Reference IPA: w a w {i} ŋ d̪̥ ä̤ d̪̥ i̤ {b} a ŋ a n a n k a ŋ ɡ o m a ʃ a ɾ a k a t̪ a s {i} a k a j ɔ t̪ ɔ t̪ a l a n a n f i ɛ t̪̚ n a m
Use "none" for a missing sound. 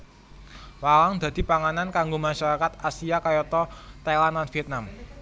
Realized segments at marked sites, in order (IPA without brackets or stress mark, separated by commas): a, p, i